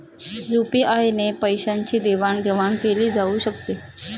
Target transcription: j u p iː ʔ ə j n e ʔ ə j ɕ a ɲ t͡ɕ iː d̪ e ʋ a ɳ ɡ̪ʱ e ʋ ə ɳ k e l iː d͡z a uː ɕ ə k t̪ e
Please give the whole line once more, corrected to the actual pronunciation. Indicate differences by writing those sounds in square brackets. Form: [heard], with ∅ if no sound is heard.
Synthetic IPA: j u p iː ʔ [a] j n e [p] ə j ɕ a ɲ t͡ɕ iː d̪ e ʋ a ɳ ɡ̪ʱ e ʋ [a] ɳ k e l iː d͡z a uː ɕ ə k t̪ e